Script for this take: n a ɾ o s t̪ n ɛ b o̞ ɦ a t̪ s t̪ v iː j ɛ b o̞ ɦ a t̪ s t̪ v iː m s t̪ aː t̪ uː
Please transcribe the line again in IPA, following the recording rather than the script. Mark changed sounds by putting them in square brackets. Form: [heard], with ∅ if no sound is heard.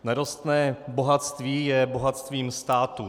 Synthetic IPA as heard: n a ɾ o s t̪ n [ɛː] b o̞ ɦ a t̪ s t̪ v iː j ɛ b o̞ ɦ a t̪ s t̪ v iː m s t̪ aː t̪ [u]